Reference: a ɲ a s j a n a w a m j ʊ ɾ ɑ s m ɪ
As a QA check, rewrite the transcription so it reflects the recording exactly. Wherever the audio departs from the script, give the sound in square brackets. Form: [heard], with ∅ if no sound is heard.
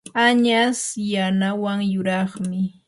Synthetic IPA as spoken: a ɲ a s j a n a w a [ŋ] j ʊ ɾ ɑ [χ] m ɪ